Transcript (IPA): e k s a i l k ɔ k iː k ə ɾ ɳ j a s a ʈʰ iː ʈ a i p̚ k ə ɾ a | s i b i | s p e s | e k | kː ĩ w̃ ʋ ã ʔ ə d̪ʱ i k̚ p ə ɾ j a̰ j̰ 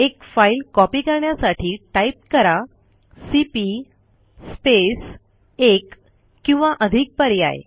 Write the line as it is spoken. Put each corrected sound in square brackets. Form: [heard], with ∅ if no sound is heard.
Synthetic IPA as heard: e k [f] a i l k ɔ [p] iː k ə ɾ ɳ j a s a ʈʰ iː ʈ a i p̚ k ə ɾ a | s i [p] i | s p e s | e k | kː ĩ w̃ ʋ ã ʔ ə d̪ʱ i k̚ p ə ɾ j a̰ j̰